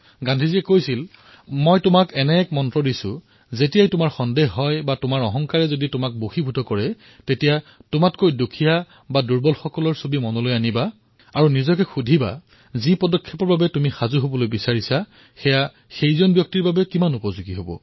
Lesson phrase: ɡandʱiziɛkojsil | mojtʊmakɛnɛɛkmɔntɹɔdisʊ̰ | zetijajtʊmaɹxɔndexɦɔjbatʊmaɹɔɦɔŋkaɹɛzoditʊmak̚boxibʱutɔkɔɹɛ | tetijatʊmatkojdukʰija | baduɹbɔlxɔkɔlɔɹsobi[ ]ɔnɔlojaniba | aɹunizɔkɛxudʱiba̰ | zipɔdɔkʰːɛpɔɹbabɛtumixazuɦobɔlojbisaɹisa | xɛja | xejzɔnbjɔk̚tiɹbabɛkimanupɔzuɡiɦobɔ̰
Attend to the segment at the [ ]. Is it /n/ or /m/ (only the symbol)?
m